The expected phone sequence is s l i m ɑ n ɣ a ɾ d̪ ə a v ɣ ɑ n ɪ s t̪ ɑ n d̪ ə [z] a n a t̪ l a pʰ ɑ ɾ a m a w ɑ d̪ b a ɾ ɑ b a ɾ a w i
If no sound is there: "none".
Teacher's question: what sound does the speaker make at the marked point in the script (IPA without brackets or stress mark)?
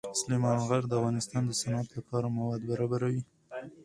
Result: s